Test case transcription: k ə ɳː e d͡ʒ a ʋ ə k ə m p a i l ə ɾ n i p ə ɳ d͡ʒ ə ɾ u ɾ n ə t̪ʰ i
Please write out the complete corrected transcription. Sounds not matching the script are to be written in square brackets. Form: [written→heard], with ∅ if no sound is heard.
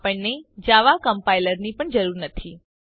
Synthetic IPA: [k→p] ə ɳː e d͡ʒ a ʋ [ə→a] k ə m p a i l ə ɾ n i p ə ɳ d͡ʒ ə ɾ u ɾ n ə t̪ʰ i

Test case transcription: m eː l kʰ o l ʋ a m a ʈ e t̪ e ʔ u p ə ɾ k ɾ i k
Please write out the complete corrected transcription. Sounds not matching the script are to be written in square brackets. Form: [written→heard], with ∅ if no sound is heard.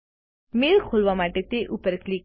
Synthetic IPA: m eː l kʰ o l ʋ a m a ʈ e t̪ e ʔ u p ə ɾ k [ɾ→l] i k

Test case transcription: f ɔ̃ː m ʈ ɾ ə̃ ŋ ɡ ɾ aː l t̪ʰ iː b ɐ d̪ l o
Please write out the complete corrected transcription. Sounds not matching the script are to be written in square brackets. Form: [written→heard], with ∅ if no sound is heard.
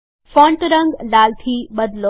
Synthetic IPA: f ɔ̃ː [m→ɳ] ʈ ɾ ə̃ ŋ ɡ [ɾ→l] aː l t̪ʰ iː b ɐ d̪ l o

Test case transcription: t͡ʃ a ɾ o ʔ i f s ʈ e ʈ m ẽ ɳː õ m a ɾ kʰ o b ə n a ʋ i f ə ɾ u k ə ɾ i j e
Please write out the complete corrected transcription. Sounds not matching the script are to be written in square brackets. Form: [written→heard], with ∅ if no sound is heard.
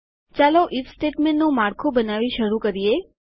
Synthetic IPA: t͡ʃ a [ɾ→l] o ʔ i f s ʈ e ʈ m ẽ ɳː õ m a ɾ kʰ o b ə n a ʋ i [f→ʃ] ə ɾ u k ə ɾ i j e

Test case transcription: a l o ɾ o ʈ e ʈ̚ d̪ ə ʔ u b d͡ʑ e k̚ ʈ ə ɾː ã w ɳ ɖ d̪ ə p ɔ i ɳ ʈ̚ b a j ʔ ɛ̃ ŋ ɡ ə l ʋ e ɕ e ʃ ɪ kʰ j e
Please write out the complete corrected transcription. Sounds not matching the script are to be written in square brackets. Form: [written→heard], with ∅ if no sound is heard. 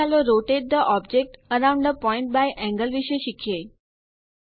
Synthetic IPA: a l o ɾ o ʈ e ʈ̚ d̪ ə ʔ [u→ɔ] b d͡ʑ e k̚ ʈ ə [ɾː→ɾ] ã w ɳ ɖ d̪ ə p ɔ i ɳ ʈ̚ b a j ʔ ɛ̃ ŋ ɡ ə l ʋ [e→i] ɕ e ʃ [ɪ→i] kʰ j e

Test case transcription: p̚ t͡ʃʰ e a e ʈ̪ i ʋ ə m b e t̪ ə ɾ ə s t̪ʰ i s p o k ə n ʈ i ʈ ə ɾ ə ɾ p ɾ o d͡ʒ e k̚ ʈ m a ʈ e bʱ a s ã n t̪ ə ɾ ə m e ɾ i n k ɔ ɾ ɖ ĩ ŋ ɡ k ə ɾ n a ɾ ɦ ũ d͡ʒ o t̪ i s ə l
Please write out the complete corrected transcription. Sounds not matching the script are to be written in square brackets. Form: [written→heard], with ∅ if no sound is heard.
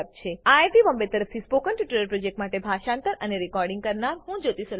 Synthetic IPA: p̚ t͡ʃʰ e a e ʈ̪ i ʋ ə m b e t̪ ə ɾ ə [s→f] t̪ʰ i s p o k ə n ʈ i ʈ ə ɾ ə ɾ p ɾ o d͡ʒ e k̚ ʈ m a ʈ e bʱ a [s→ʃ] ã n t̪ ə ɾ ə [m→n] e ɾ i [n→∅] k ɔ ɾ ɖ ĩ ŋ ɡ k ə ɾ n a ɾ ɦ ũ d͡ʒ o t̪ i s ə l

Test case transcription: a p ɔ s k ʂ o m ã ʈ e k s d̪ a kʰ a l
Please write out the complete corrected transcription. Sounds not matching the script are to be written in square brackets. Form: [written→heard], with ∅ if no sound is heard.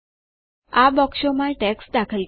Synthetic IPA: a [p→b] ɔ [s→∅] k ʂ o m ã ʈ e k s d̪ a kʰ [a→ə] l

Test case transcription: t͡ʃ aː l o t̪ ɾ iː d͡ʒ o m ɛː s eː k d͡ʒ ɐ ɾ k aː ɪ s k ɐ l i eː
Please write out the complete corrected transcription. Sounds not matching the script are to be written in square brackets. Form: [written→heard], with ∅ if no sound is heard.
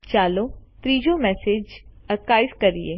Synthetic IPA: t͡ʃ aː l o t̪ ɾ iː d͡ʒ o m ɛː s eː [k→∅] d͡ʒ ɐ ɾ k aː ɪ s k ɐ [l→ɾ] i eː

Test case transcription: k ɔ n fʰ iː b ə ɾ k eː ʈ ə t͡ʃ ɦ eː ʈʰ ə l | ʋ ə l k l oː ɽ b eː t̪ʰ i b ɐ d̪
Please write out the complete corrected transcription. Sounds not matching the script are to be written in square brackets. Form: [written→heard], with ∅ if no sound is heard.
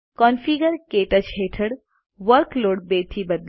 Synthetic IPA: k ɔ n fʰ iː [b→ɡ] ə ɾ k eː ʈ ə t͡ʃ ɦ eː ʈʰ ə [l→ɽ] | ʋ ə [l→ɾ] k l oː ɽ b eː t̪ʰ i b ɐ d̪

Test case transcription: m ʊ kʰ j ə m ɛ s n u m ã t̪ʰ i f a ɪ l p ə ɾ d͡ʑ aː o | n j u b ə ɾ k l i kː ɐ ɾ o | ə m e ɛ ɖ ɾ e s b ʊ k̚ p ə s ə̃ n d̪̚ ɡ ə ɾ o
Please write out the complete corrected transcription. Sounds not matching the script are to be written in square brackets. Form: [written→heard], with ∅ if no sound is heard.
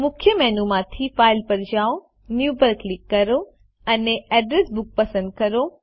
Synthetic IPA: m ʊ kʰ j ə m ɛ [s→∅] n u m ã t̪ʰ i f a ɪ l p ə ɾ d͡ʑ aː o | n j u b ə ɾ k l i kː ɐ ɾ o | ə [m→n] e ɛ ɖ ɾ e s b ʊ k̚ p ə s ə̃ n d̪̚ [ɡ→k] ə ɾ o

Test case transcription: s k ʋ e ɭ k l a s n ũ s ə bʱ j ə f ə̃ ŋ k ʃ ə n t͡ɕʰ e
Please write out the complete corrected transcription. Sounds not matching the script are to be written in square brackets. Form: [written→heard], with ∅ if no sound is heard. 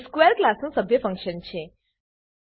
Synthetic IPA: s k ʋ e [ɭ→ɾ] k l a s n ũ s ə bʱ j ə f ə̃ ŋ k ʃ ə n t͡ɕʰ e

